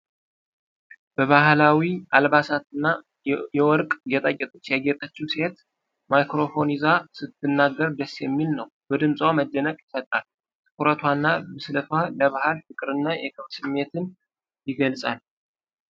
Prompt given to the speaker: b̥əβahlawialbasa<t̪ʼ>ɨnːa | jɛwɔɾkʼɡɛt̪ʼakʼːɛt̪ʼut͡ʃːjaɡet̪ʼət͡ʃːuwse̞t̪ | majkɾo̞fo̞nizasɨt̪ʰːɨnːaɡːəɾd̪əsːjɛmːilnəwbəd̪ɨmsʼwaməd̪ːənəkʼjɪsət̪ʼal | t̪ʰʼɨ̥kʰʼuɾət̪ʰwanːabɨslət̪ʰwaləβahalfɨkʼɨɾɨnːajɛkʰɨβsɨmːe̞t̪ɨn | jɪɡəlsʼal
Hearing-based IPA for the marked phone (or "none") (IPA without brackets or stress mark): t̪